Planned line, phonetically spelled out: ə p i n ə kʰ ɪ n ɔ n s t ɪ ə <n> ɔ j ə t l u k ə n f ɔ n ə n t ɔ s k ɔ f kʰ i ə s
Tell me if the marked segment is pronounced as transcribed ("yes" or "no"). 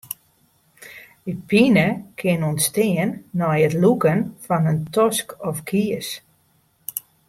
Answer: no